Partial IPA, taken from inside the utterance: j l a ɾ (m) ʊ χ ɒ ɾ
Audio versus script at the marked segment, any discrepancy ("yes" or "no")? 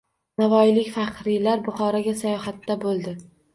yes